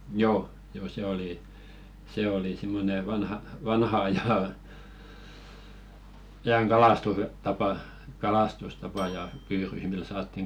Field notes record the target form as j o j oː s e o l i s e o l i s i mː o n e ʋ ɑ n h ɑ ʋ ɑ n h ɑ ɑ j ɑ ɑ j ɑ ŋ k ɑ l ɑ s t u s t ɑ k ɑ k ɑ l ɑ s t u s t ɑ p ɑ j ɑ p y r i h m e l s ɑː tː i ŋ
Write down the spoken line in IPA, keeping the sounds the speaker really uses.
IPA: j oː j oː s e o l i s e o l i s i mː o n e ʋ ɑ n h ɑ ʋ ɑ n h ɑ ɑ j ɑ ɑ j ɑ ŋ k ɑ l ɑ s t u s t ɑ p ɑ k ɑ l ɑ s t u s t ɑ p ɑ j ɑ p yː r y h m i l s ɑː tː i ŋ